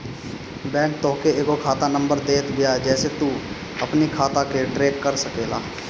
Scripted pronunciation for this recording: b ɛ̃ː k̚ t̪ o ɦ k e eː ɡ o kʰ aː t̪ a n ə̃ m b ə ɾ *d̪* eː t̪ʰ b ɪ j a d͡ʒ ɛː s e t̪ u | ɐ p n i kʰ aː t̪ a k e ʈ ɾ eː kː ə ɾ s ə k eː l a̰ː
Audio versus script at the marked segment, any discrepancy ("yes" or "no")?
no